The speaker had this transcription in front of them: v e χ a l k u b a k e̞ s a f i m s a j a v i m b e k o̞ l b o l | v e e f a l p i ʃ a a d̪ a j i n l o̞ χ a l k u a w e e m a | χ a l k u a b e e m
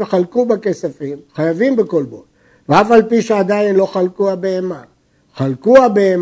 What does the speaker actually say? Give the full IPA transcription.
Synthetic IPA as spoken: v e χ a l k u b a k e̞ s a f i m χ a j a v i m b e k o̞ l b o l | v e a f a l p i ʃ e a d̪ a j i n l o̞ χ a l k u a b e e m a | χ a l k u a b e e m